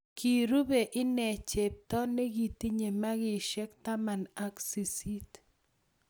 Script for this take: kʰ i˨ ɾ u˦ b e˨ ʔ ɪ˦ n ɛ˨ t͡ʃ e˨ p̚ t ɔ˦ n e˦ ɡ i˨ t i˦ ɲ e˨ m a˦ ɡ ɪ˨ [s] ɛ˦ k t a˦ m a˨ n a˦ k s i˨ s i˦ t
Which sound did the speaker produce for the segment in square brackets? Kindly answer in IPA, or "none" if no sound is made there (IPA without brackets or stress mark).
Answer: ʃ